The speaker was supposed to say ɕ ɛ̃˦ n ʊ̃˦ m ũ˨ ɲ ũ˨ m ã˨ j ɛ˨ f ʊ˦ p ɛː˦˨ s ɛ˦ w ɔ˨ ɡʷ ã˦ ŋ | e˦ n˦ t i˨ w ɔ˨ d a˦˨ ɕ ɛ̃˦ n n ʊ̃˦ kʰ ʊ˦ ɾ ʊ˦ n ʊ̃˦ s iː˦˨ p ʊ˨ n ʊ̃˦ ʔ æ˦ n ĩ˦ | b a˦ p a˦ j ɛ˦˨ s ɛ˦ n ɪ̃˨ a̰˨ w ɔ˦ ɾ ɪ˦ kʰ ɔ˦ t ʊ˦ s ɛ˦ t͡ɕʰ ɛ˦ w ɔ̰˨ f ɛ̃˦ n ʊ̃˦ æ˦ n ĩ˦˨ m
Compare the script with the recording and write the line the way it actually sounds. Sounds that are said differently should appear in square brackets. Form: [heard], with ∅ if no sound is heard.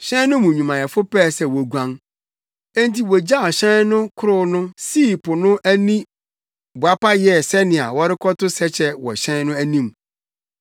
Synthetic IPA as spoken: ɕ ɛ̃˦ n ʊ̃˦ m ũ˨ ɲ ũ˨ m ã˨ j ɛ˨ f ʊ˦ p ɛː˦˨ s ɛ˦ w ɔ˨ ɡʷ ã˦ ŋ | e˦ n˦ t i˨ w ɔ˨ [d͡ʑ] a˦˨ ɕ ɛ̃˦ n n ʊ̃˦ kʰ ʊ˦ ɾ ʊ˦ n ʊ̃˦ s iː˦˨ p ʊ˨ n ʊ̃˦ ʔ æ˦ n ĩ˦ | b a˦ p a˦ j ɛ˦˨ s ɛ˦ n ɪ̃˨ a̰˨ w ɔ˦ ɾ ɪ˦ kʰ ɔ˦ t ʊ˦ s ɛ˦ t͡ɕʰ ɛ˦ w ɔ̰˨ [ɕ] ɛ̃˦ n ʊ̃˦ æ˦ n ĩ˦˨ m